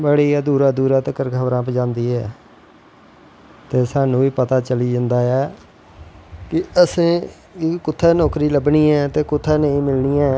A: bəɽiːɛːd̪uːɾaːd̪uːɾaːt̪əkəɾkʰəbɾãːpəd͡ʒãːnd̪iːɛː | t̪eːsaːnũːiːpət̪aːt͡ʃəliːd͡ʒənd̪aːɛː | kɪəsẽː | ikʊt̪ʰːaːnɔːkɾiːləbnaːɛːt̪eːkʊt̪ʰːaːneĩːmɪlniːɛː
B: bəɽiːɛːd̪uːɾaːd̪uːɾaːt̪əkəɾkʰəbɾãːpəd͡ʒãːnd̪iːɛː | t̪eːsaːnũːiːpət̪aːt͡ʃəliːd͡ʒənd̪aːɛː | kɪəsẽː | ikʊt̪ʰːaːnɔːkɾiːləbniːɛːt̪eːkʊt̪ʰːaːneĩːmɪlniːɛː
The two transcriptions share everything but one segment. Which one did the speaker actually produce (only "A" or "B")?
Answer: B